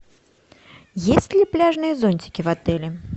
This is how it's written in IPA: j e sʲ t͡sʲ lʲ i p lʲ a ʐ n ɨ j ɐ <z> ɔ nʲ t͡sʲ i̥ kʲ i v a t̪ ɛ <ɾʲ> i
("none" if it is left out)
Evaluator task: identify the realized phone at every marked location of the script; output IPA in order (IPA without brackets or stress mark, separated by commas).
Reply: z, lʲ